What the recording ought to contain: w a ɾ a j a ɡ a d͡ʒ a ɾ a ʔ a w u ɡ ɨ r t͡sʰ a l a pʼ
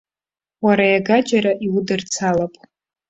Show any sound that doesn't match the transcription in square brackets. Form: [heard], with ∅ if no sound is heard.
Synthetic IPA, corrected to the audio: w a ɾ a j a ɡ a d͡ʒ a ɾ a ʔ [i] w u [d] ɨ r t͡sʰ a l a pʼ